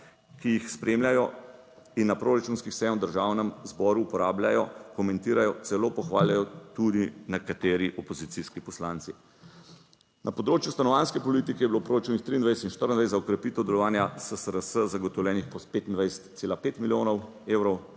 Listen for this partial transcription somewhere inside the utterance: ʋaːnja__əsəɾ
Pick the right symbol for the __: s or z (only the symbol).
s